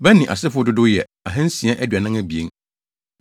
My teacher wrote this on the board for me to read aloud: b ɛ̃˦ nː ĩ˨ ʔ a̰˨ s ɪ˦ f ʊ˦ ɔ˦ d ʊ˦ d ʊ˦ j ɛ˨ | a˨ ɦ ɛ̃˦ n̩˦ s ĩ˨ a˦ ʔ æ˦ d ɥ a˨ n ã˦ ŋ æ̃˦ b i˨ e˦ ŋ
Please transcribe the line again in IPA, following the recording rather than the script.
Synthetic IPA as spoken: b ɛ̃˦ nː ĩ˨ ʔ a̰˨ s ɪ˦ f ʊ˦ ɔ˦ d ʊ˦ d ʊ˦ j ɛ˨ | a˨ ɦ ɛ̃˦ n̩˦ s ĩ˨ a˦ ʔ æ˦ d ɥ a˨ n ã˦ ŋ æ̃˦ b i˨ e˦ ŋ